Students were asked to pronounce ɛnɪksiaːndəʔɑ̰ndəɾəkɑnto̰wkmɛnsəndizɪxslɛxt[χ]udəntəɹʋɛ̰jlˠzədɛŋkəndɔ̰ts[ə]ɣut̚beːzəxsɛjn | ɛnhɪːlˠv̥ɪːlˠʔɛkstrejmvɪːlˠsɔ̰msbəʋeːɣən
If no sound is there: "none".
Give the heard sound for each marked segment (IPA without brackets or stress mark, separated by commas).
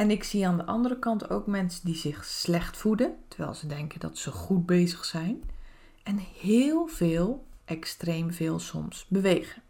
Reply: f, ə